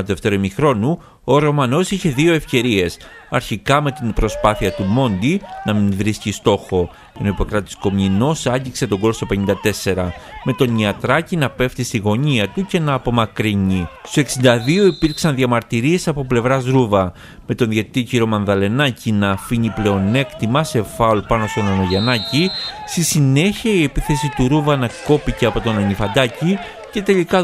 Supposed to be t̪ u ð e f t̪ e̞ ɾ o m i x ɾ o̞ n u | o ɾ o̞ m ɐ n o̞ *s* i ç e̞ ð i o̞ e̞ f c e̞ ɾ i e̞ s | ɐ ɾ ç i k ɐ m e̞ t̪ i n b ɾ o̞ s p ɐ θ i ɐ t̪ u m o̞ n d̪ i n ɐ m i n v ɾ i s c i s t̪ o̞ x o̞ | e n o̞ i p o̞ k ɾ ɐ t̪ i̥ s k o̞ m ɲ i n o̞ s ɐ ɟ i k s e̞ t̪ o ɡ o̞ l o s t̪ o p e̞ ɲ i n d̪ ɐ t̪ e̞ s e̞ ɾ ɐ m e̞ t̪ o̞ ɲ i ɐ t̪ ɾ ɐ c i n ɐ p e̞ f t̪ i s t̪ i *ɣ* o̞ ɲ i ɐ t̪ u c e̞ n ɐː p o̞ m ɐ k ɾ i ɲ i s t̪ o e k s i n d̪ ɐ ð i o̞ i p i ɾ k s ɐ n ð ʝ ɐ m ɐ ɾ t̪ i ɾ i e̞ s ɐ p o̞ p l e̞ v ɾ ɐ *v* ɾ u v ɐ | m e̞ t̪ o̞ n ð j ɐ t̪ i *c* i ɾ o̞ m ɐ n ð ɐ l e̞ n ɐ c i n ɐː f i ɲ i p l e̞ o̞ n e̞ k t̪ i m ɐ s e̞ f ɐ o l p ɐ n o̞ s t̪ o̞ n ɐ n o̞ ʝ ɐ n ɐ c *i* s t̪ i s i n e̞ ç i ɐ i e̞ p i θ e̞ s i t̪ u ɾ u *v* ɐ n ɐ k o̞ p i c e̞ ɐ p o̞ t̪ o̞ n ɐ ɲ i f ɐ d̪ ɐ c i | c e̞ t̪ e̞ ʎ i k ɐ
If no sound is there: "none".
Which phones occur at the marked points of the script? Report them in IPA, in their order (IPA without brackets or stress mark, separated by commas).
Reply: s, ɣ, z, c, i, v